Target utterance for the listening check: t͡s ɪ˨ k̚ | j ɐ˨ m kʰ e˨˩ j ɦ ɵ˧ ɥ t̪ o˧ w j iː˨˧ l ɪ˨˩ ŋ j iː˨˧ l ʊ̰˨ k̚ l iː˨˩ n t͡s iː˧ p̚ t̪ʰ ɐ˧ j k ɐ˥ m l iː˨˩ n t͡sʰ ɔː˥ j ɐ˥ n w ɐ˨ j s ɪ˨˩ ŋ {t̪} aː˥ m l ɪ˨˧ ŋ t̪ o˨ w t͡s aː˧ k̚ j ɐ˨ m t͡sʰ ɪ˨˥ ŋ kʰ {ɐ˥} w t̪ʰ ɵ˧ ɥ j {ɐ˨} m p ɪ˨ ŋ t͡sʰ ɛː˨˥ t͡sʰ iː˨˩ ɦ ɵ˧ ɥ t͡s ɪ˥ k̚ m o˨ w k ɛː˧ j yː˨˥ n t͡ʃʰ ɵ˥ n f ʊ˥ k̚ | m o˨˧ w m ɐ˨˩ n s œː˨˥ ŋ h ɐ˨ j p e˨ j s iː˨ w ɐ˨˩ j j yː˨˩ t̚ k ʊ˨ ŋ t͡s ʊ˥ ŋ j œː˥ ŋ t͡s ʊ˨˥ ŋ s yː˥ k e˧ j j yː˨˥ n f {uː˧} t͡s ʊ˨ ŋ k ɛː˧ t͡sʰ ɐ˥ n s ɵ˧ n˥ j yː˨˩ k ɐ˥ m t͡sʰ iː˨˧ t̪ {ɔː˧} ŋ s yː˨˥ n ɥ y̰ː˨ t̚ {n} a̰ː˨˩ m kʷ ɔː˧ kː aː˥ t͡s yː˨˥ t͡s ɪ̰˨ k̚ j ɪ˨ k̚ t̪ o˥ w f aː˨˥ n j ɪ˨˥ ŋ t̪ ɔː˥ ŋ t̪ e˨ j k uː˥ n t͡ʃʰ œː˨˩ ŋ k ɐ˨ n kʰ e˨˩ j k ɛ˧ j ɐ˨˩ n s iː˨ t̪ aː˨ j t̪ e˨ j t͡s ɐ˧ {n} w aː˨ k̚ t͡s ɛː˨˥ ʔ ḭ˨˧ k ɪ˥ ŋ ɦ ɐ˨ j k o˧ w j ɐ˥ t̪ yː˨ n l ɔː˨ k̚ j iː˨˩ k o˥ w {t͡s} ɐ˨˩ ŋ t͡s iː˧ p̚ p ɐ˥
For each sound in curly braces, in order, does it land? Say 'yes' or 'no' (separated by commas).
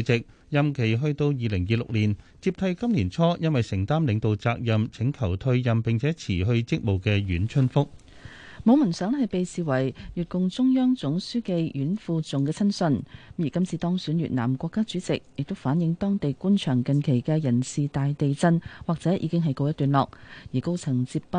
yes, no, yes, yes, no, yes, yes, no